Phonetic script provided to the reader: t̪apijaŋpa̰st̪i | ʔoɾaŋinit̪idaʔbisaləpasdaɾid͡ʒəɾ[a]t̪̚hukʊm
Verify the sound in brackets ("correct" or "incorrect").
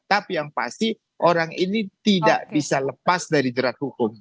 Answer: correct